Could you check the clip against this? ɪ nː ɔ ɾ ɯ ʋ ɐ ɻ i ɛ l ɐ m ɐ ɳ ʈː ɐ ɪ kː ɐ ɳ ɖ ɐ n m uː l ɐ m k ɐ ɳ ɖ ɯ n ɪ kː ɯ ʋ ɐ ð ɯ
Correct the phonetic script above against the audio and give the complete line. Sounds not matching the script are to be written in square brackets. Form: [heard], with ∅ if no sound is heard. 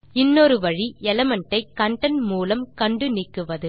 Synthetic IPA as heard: ɪ nː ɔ ɾ ɯ ʋ ɐ ɻ i ɛ l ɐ m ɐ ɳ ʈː ɐ ɪ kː ɐ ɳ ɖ ɐ n m uː l ɐ m k ɐ ɳ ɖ ɯ n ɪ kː ɯ ʋ ɐ ð ɯ